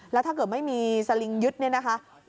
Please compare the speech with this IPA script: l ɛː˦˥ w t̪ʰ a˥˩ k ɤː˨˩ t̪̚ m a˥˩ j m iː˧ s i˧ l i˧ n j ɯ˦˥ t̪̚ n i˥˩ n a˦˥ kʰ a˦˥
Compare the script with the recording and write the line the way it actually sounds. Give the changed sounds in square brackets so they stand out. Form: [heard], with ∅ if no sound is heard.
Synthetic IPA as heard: l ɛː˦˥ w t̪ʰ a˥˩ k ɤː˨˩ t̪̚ m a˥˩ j m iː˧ s [a˧] l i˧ [ŋ] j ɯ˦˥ t̪̚ n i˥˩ n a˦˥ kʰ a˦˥